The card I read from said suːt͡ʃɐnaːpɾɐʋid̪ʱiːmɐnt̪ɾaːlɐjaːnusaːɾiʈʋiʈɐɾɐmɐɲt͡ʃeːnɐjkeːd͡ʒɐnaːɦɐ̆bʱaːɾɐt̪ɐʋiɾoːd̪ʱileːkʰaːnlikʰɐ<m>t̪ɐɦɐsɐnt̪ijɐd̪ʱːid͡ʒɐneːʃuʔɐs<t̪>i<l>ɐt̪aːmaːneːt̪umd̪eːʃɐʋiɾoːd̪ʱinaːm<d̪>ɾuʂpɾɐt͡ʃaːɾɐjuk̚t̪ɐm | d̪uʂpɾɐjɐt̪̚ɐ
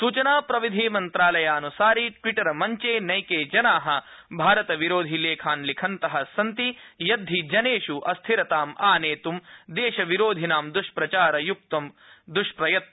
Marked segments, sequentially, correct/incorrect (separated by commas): incorrect, incorrect, incorrect, correct